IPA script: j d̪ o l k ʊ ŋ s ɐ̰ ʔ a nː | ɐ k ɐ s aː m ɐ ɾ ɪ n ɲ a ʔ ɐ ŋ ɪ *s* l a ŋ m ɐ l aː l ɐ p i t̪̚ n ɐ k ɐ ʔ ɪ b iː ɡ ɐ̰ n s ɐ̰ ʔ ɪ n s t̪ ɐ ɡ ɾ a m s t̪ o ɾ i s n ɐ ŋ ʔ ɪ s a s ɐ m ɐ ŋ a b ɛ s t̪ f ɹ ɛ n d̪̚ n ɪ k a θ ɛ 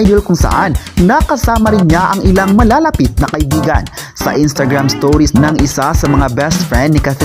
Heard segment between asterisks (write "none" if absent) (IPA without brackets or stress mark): none